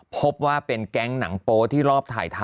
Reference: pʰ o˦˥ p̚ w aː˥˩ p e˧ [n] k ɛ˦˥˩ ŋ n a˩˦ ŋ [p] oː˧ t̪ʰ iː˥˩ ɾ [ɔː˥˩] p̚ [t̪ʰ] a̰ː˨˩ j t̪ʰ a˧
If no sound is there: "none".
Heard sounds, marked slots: n, p, ɔː˥˩, t̪ʰ

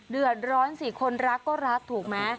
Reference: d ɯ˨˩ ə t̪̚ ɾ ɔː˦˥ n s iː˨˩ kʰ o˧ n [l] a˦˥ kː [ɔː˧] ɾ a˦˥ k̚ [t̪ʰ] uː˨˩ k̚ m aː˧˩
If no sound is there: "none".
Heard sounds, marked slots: ɾ, ɔː˥˩, t̪ʰ

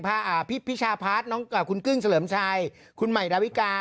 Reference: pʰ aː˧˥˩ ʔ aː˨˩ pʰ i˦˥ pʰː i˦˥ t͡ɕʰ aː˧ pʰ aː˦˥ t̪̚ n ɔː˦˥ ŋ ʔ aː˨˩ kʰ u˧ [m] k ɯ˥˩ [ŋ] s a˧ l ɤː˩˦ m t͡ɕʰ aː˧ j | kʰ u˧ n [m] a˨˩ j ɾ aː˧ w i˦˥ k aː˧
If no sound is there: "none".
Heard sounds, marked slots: n, ŋ, m

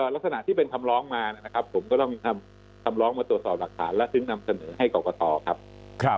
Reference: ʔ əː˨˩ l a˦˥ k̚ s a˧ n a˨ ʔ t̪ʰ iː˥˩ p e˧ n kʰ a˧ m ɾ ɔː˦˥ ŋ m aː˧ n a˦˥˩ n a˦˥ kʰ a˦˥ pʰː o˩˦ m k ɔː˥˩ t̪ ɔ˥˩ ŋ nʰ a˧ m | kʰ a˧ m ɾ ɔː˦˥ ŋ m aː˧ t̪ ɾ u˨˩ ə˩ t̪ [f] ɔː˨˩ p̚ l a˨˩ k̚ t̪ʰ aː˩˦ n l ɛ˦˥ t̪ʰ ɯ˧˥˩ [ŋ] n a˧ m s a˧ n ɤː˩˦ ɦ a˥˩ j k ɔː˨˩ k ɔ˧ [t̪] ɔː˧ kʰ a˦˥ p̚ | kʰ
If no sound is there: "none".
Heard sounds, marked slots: s, ŋ, t̪

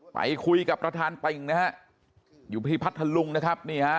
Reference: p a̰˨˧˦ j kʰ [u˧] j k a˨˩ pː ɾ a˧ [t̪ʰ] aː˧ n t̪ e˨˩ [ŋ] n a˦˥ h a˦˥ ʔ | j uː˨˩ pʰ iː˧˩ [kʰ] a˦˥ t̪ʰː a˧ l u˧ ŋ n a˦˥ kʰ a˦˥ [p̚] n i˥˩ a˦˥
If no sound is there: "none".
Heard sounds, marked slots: u˧, t̪ʰ, ŋ, pʰ, p̚

